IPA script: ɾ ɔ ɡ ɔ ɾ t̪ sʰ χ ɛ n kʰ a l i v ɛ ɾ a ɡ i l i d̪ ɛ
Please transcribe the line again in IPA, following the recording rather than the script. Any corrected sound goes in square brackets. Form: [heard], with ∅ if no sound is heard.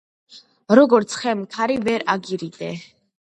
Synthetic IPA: ɾ ɔ ɡ ɔ ɾ t̪ sʰ χ ɛ [m] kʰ a [ɾ] i v ɛ ɾ a ɡ i [ɾ] i d̪ ɛ